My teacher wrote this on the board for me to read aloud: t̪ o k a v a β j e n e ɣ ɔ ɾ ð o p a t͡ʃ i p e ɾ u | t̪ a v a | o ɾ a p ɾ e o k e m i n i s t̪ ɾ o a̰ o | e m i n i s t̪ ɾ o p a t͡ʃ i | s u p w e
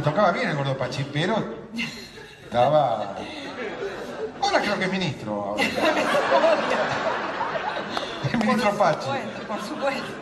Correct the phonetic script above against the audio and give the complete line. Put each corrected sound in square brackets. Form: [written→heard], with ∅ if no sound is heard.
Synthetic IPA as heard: t̪ o k a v a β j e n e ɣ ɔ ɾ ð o p a t͡ʃ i p e ɾ [u→o] | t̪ a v a | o ɾ a [p→k] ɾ e o k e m i n i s t̪ ɾ o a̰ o | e m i n i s t̪ ɾ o p a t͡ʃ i | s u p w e